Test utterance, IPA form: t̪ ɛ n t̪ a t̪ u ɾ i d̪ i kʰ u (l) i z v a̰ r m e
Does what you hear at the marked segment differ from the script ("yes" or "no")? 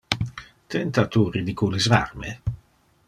no